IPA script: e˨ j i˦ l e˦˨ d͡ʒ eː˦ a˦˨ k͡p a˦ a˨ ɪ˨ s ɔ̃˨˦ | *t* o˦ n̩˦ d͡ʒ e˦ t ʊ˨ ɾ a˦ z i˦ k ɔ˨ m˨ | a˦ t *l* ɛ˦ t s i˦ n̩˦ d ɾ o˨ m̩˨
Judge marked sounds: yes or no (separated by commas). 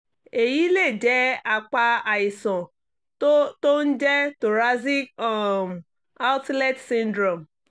yes, yes